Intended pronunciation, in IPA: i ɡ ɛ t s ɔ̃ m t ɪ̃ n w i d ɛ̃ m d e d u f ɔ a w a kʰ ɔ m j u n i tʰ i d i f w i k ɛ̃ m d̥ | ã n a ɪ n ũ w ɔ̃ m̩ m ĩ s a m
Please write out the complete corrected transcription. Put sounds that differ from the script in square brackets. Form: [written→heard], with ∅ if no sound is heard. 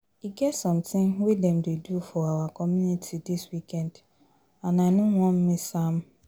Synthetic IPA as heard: i ɡ ɛ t s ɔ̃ m t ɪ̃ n w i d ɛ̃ m d e d u f ɔ a w a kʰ ɔ m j u n i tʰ i d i [f→s] w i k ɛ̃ [m→n] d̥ | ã n a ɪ n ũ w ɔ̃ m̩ m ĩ s a m